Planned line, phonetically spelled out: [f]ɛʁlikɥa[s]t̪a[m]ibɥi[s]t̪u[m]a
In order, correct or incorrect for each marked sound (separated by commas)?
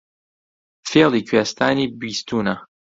correct, correct, incorrect, correct, incorrect